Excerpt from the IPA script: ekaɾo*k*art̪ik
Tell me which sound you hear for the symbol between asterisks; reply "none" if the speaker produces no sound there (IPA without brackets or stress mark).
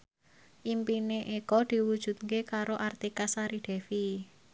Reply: ʔ